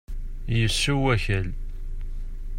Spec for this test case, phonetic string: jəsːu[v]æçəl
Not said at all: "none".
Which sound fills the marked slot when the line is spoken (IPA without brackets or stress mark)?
w